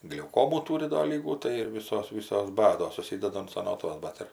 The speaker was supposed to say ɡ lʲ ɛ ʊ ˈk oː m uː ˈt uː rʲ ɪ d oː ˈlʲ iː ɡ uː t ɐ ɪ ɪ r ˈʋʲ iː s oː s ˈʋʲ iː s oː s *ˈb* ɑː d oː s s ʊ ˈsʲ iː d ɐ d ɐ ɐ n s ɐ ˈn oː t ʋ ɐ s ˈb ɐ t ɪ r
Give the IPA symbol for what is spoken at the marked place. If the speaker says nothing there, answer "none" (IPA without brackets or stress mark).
b